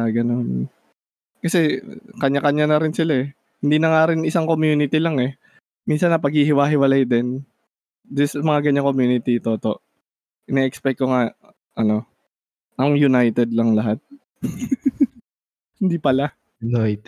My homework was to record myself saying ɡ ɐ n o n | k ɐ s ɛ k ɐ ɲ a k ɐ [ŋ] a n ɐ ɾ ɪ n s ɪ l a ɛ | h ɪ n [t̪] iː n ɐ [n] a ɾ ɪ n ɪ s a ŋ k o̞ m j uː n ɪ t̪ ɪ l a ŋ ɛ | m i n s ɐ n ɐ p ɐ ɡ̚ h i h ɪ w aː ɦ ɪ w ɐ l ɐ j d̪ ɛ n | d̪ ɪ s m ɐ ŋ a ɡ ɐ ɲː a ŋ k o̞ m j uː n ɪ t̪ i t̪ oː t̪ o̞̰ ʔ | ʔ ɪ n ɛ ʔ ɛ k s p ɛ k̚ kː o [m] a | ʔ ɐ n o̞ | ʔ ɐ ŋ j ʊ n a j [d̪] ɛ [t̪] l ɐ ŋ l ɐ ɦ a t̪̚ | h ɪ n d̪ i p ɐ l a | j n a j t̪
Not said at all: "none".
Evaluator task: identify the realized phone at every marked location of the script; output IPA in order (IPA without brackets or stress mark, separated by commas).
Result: ɲ, d̪, ŋ, ŋ, t̪, d̪